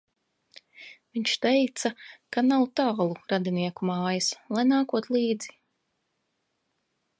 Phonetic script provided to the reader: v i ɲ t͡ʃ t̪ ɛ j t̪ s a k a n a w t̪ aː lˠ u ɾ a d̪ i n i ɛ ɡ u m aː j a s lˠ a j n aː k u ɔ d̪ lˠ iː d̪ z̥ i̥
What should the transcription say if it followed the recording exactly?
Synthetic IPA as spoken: v i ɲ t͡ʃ t̪ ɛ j t̪ s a k a n a w t̪ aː lˠ u ɾ a d̪ i n i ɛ k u m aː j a s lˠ a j n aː k u ɔ t̪ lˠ iː d̪ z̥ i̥